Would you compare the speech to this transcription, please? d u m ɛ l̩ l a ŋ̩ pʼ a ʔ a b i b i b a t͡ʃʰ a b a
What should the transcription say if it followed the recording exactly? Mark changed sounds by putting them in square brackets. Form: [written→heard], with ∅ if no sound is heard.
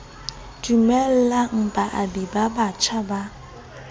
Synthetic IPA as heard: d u m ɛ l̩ l a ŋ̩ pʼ a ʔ a [b→d] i b [i→a] b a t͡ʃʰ a b a